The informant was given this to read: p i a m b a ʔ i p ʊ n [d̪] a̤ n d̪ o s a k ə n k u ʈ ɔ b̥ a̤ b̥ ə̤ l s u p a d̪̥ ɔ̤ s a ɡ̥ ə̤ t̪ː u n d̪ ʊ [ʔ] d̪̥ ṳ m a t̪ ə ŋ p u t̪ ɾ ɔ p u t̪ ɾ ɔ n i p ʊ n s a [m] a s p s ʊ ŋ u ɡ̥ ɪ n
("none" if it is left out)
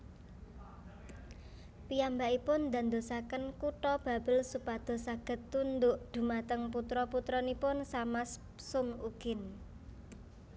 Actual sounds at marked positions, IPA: d̪, ʔ, m

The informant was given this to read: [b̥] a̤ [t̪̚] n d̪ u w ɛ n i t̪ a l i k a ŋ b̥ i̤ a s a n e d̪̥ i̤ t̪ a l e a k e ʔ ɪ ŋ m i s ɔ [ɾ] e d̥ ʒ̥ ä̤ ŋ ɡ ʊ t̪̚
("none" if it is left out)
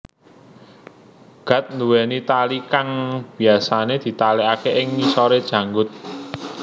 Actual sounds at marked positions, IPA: ɡ̥, t̪̚, ɾ

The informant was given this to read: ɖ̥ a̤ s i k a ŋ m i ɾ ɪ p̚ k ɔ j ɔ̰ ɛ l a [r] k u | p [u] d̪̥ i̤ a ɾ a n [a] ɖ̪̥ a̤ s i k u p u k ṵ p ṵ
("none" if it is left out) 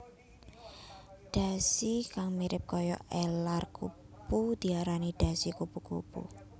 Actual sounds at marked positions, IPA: r, u, i

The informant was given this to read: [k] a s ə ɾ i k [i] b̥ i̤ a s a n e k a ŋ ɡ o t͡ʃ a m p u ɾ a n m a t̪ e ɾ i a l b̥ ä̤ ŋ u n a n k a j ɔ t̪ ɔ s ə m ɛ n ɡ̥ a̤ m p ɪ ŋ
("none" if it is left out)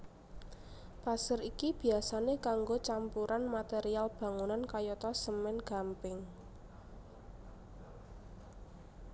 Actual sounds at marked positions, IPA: p, i

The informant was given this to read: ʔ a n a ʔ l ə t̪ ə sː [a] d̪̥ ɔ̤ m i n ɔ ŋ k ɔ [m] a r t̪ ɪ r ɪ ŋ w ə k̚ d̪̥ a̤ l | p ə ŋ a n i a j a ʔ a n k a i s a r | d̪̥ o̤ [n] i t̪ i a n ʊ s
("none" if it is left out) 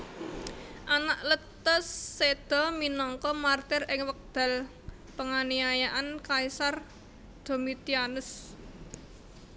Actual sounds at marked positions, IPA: e, m, m

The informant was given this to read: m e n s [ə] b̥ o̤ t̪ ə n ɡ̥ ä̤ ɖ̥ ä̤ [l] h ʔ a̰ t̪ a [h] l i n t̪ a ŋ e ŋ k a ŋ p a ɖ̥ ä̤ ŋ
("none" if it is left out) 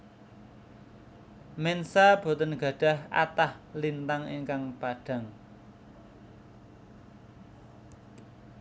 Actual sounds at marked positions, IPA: a, none, h

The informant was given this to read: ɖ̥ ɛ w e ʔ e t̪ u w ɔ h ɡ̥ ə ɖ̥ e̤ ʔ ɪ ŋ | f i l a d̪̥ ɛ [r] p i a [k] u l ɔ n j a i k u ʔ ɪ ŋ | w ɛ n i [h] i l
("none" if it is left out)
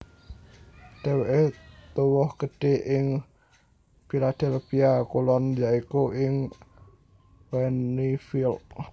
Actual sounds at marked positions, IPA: l, k, f

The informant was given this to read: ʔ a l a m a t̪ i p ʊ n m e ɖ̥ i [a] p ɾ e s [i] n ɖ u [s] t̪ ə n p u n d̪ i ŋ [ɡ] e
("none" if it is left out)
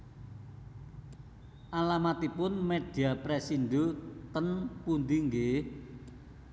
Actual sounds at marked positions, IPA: a, i, none, ɡ

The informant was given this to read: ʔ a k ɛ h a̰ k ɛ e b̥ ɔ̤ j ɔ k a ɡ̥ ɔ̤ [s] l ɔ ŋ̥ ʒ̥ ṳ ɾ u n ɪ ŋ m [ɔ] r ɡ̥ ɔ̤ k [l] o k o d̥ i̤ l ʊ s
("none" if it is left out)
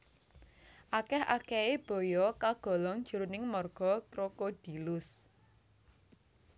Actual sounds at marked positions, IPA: none, ɔ, ɾ

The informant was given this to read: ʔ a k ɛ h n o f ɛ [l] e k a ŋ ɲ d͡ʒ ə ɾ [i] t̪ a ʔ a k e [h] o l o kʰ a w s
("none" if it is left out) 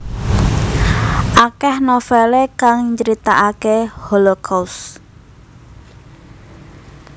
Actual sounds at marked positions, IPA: l, i, h

